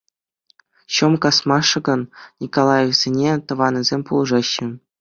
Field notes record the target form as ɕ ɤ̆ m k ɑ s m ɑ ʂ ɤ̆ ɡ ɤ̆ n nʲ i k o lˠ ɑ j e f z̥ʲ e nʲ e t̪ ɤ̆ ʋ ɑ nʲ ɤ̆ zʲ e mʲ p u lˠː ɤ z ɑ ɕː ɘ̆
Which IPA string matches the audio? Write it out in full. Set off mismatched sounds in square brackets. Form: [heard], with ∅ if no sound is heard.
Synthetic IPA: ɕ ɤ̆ m k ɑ s m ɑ ʂ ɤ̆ ɡ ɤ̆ n nʲ i k o lˠ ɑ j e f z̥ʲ e nʲ e t̪ ɤ̆ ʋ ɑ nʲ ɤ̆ zʲ e mʲ p u [lˠ] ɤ [ʐ] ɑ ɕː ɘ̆